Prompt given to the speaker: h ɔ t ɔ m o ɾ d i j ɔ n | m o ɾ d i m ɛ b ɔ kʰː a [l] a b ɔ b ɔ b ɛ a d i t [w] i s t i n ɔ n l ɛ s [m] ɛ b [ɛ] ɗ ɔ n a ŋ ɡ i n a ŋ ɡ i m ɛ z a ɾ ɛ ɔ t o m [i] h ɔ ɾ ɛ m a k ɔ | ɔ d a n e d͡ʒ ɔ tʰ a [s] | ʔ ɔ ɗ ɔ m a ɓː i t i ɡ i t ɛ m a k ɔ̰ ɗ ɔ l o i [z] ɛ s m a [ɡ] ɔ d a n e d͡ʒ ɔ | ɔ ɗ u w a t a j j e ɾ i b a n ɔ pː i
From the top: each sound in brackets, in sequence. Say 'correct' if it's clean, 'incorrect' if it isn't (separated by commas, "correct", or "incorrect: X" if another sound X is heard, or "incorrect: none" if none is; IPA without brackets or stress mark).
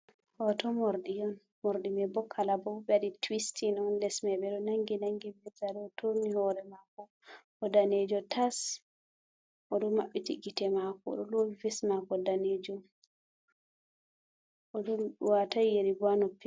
correct, correct, correct, correct, correct, correct, incorrect: v, incorrect: k